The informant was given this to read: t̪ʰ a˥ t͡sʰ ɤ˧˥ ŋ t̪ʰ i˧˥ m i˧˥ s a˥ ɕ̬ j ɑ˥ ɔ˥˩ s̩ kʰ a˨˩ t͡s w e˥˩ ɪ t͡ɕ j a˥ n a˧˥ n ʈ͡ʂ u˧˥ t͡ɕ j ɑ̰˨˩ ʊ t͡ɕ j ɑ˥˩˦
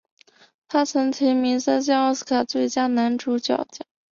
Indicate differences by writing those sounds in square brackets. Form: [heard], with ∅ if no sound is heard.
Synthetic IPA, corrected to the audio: t̪ʰ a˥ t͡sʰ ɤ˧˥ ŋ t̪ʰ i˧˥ m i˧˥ s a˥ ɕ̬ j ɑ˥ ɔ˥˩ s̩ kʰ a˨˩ t͡s w e˥˩ ɪ t͡ɕ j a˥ n a˧˥ n ʈ͡ʂ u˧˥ t͡ɕ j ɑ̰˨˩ ʊ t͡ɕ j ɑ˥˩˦